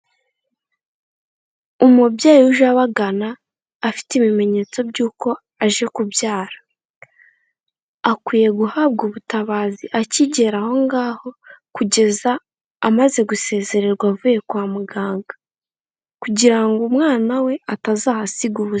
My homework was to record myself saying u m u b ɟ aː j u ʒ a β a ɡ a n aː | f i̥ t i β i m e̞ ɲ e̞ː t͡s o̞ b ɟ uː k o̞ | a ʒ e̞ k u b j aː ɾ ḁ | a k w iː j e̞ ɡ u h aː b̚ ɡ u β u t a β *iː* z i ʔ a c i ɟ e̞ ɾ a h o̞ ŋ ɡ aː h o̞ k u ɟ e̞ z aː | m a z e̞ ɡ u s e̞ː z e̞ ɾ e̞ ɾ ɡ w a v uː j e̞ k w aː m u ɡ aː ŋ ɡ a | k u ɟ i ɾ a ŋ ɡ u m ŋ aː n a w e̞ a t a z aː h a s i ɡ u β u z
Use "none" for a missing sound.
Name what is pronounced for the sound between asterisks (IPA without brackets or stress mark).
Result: aː